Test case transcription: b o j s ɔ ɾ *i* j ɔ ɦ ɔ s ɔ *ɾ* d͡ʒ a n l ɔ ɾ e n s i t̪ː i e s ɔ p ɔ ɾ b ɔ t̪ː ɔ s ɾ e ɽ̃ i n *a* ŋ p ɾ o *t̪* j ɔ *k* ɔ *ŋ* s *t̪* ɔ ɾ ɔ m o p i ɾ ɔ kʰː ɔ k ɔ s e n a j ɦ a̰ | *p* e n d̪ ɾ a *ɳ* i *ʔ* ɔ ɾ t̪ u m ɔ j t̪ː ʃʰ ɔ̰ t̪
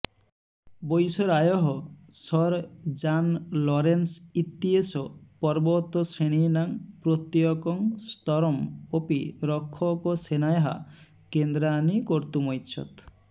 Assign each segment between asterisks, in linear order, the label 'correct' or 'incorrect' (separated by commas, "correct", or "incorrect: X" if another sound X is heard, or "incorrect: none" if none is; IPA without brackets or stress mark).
incorrect: a, correct, correct, correct, correct, correct, correct, incorrect: k, incorrect: n, incorrect: k